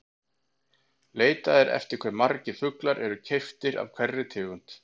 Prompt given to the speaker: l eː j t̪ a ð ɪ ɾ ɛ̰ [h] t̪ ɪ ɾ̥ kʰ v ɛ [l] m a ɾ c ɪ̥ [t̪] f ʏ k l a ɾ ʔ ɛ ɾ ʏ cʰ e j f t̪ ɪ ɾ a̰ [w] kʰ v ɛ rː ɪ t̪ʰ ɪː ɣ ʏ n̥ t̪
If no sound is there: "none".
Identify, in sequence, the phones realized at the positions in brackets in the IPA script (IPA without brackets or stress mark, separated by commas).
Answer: f, ɾ, none, v